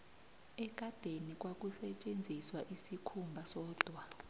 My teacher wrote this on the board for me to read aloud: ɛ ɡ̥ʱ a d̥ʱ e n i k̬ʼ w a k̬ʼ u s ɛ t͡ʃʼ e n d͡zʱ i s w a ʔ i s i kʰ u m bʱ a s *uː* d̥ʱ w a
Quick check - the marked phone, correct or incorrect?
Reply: incorrect